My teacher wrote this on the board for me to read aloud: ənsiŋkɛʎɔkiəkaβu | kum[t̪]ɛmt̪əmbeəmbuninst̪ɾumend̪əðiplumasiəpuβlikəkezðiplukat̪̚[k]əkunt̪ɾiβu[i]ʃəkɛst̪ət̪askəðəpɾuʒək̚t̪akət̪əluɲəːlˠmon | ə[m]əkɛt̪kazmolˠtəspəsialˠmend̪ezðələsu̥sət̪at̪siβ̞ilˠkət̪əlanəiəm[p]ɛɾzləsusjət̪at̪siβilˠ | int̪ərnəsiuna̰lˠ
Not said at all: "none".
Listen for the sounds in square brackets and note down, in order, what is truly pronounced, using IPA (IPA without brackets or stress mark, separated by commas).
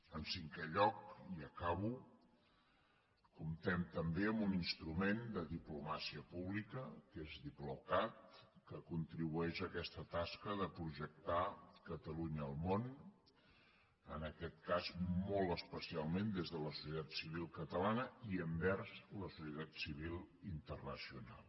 t̪, k, ɛ, n, b